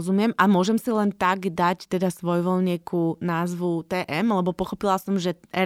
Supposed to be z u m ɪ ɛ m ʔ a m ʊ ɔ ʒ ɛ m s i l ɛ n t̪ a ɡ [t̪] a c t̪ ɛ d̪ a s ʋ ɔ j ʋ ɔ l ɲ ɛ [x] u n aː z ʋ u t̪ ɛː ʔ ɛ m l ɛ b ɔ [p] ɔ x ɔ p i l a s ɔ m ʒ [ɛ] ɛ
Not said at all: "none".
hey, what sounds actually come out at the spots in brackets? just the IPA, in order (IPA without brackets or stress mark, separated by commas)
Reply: d̪, k, p, ɛ